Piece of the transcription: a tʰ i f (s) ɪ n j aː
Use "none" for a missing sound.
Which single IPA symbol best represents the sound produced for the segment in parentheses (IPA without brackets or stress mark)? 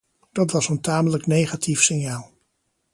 s